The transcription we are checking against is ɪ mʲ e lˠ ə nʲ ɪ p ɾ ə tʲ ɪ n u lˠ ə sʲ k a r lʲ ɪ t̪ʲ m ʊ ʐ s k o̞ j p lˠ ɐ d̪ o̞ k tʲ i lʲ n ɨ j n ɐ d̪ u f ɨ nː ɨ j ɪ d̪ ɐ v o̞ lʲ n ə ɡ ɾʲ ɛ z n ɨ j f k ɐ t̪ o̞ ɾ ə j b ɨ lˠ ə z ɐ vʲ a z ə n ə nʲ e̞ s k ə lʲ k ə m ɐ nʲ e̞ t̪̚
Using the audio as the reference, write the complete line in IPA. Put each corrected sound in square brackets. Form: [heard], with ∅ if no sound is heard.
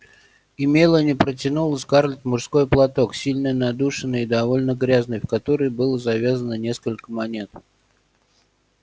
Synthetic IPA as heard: ɪ mʲ e lˠ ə nʲ ɪ p ɾ ə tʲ ɪ n u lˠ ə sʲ k a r lʲ ɪ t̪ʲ m ʊ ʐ s k o̞ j p lˠ ɐ [t̪] o̞ k [sʲ] i lʲ n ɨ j n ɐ d̪ u [ʂ] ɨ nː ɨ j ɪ d̪ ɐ v o̞ lʲ n ə ɡ ɾʲ [a] z n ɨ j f k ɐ t̪ o̞ ɾ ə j b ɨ lˠ ə z ɐ vʲ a z ə n ə nʲ e̞ s k ə lʲ k ə m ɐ nʲ e̞ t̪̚